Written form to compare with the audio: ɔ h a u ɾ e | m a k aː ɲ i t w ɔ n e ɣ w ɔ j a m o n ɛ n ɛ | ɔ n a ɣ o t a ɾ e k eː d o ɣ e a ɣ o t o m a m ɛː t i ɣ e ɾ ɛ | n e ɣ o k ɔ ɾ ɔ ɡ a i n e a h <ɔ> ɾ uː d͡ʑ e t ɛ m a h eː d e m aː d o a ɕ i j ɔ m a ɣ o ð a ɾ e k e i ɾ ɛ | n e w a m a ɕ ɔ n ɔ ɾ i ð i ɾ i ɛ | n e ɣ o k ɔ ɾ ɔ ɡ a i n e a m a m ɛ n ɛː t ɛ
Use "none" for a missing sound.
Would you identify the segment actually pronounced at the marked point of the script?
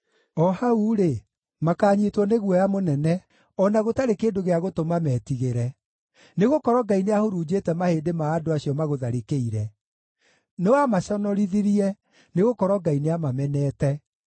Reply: o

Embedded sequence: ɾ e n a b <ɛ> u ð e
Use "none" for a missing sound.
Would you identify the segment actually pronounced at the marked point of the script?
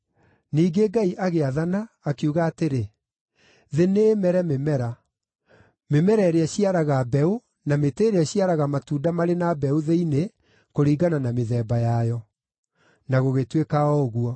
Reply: ɛ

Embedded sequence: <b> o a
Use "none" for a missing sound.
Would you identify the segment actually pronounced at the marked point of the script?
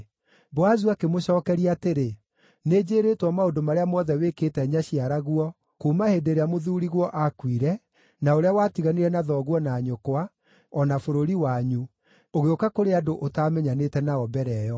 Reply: b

